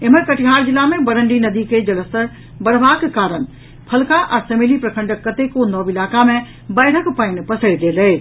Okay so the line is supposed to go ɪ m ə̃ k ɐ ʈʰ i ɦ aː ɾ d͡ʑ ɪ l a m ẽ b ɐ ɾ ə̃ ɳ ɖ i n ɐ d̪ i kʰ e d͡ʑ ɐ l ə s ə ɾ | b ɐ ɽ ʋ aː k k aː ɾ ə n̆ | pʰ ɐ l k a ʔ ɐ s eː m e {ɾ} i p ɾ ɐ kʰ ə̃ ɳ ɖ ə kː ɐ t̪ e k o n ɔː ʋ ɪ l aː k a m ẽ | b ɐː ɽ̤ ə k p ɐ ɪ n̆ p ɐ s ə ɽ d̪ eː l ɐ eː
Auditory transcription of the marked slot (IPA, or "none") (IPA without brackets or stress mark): l